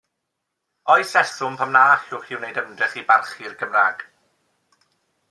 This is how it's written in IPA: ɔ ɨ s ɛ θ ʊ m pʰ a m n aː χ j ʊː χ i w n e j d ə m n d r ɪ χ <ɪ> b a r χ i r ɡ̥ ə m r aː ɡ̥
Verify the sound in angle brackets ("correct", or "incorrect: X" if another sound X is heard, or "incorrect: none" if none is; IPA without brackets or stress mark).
incorrect: i